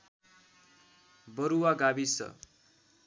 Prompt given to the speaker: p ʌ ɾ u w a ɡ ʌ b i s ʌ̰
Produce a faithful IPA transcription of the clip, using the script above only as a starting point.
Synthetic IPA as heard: b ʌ ɾ u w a ɡ a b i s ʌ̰